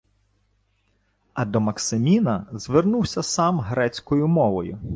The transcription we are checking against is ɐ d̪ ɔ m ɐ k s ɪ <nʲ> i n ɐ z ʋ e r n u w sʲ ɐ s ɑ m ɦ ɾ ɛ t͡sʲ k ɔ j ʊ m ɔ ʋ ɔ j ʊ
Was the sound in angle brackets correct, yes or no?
no